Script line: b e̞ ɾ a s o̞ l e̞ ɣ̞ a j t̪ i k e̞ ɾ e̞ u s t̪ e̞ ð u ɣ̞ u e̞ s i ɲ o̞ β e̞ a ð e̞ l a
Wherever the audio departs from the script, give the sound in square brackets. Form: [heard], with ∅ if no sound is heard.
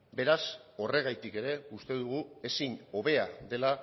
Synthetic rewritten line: b e̞ ɾ a s o̞ [r] e̞ ɣ̞ a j t̪ i k e̞ ɾ e̞ u s t̪ e̞ ð u ɣ̞ u e̞ s i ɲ o̞ β e̞ a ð e̞ l a

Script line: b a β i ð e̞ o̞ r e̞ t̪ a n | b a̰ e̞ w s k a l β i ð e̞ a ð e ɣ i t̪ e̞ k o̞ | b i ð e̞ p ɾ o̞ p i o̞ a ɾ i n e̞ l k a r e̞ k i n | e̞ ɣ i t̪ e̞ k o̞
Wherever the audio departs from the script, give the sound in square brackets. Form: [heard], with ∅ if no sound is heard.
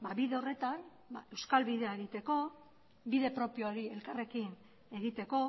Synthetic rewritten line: b a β i ð e̞ o̞ r e̞ t̪ a n | b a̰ e̞ w s k a l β i ð e̞ a [∅] e ɣ i t̪ e̞ k o̞ | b i ð e̞ p ɾ o̞ p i o̞ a ɾ i [∅] e̞ l k a r e̞ k i n | e̞ ɣ i t̪ e̞ k o̞

